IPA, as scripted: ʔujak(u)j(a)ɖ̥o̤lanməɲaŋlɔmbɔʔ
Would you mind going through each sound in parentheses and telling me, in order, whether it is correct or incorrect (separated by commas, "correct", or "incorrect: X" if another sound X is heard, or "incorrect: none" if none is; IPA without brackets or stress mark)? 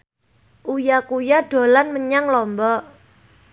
correct, correct